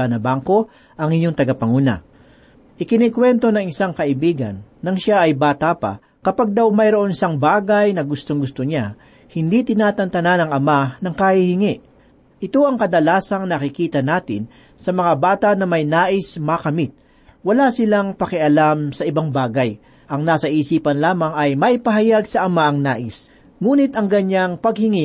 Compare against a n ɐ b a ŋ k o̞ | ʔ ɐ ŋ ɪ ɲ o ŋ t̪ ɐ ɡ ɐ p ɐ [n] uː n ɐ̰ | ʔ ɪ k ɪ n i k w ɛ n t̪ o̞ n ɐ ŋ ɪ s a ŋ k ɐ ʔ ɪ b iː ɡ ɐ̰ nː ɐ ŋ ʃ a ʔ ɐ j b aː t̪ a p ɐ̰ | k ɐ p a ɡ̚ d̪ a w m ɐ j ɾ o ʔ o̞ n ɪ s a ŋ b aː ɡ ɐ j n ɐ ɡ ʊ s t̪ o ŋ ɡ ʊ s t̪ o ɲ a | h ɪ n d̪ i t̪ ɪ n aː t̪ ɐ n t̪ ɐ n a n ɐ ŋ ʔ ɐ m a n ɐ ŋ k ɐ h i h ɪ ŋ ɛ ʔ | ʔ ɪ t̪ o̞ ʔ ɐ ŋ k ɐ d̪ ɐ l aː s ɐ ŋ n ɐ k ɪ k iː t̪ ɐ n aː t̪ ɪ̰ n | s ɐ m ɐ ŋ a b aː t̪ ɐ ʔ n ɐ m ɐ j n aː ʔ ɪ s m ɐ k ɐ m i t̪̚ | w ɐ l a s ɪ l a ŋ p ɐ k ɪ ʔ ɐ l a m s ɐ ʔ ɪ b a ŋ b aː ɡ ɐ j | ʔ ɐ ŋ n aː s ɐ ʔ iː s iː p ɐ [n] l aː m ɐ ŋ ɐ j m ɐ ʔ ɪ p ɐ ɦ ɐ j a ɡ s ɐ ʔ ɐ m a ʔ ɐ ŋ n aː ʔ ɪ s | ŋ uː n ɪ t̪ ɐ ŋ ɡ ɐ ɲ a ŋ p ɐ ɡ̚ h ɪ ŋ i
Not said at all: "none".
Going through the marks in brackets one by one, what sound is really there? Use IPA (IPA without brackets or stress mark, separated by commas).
ŋ, n